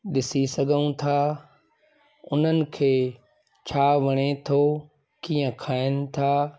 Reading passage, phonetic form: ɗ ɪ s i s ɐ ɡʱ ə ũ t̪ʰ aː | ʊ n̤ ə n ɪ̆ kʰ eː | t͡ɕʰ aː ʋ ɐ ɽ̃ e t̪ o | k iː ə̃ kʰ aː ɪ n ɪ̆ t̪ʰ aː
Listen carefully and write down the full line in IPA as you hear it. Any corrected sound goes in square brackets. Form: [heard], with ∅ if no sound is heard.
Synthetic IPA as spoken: ɗ ɪ s i s ɐ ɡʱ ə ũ t̪ʰ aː | ʊ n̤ ə n ɪ̆ kʰ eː | t͡ɕʰ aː ʋ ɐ ɽ̃ e [t̪ʰ] o | k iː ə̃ kʰ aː ɪ n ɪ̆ t̪ʰ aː